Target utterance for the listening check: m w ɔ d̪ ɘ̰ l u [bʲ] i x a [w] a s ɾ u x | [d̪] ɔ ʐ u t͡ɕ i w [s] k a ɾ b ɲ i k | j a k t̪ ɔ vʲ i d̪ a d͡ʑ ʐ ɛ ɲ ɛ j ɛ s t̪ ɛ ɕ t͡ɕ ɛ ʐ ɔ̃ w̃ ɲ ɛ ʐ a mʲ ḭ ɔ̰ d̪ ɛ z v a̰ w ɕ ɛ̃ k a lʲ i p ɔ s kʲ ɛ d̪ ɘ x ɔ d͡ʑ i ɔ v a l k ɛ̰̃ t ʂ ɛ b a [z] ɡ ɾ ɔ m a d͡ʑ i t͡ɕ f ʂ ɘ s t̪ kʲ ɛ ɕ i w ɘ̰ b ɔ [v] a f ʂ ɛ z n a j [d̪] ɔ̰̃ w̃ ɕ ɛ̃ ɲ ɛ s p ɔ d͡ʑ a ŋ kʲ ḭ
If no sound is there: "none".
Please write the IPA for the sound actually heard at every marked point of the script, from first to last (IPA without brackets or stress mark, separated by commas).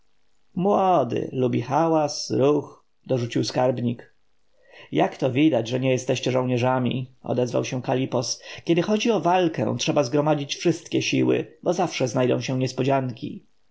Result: bʲ, w, d̪, s, z, z, d̪